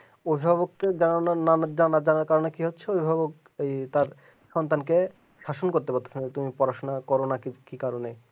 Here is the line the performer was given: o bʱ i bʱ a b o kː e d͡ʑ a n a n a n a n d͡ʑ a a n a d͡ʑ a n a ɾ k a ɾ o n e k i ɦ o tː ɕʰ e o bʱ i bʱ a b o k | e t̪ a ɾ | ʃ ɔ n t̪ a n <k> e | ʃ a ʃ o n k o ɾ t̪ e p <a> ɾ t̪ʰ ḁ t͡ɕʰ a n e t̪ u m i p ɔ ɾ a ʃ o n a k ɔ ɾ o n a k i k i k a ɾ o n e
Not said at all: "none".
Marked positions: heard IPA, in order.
k, a

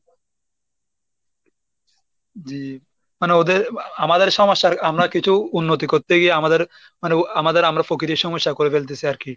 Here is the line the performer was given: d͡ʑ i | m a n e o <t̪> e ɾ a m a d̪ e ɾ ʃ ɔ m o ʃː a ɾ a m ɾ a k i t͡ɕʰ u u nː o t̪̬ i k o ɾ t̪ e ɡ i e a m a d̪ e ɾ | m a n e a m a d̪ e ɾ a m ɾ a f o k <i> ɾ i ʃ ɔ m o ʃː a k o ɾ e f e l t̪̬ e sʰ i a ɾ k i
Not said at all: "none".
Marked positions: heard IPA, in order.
d̪, i

